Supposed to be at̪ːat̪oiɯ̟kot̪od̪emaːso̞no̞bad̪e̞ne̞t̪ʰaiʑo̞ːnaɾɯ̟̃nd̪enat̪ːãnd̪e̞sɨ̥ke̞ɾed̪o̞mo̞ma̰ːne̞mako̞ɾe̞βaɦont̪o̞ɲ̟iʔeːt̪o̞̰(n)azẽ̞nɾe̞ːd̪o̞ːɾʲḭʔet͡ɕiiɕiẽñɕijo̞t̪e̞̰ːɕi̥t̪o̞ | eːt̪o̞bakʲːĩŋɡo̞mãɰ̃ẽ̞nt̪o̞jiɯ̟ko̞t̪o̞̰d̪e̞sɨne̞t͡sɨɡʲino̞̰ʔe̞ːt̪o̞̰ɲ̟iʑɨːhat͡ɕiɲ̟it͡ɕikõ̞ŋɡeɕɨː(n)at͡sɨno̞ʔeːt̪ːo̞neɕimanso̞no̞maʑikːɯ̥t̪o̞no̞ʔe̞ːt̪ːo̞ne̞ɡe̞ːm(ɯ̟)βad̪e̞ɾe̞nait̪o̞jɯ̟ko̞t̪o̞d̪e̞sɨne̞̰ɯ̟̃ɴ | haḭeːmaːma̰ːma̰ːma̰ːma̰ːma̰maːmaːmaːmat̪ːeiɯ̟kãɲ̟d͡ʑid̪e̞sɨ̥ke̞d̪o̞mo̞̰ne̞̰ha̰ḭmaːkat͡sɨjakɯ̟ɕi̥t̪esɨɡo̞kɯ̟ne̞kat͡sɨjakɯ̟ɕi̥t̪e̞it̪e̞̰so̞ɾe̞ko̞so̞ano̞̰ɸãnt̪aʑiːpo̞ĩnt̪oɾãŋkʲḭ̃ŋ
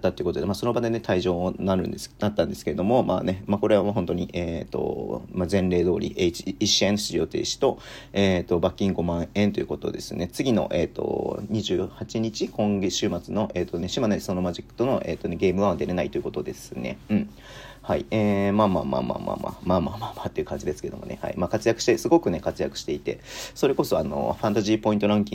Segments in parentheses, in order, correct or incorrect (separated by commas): incorrect, incorrect, correct